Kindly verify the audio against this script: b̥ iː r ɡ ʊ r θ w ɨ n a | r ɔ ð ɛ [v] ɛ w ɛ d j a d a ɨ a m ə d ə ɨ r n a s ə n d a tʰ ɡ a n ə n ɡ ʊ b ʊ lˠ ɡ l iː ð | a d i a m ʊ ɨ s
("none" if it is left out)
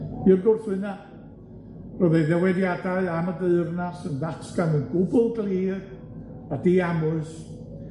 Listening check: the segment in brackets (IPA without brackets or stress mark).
ð